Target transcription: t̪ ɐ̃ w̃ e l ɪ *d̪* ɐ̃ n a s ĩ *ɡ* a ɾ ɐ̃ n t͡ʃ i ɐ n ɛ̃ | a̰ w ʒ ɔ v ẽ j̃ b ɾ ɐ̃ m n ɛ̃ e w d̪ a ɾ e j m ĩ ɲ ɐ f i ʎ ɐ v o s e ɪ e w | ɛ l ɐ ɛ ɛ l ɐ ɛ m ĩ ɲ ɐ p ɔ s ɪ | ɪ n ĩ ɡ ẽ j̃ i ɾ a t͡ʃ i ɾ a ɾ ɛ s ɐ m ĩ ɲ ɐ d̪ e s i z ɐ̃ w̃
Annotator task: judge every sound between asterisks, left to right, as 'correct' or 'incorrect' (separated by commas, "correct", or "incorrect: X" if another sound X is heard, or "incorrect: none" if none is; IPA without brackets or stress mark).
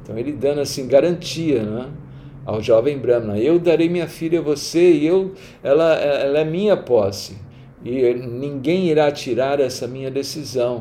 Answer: correct, correct